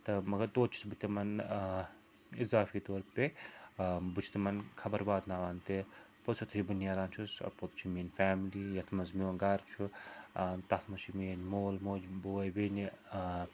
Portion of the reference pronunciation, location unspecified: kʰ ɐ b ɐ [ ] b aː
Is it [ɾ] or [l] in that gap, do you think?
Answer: ɾ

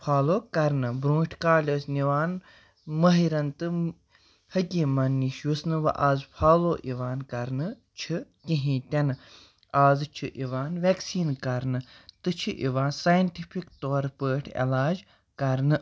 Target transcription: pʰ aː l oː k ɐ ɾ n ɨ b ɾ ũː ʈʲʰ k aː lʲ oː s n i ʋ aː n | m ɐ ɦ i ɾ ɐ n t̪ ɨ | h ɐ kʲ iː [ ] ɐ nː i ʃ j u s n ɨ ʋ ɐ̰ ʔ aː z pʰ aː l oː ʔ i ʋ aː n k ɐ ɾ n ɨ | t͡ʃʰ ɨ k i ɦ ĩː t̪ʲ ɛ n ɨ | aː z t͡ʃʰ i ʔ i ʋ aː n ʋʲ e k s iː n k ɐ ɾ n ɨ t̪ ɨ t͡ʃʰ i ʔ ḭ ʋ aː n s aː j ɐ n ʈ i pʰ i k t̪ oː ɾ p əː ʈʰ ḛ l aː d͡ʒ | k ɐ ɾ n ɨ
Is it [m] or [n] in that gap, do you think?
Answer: m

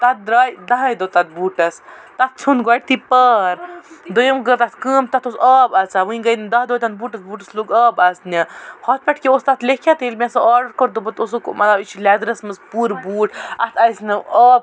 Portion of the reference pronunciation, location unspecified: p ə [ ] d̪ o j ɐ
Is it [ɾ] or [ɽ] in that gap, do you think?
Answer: ɾ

